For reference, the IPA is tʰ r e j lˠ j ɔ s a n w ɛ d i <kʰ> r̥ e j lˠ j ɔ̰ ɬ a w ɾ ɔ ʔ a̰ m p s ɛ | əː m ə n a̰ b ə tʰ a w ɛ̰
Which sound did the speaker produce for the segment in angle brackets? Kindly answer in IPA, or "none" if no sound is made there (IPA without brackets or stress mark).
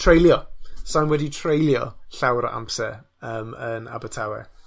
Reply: tʰ